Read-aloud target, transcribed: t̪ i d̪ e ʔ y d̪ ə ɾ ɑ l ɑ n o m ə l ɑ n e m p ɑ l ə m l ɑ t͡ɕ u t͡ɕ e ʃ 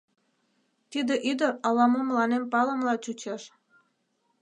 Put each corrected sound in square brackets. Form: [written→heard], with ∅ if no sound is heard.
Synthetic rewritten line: t̪ i d̪ e ʔ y d̪ ə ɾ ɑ l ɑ [n→m] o m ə l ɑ n e m p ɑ l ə m l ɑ t͡ɕ u t͡ɕ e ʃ